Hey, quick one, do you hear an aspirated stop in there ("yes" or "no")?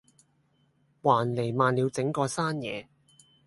no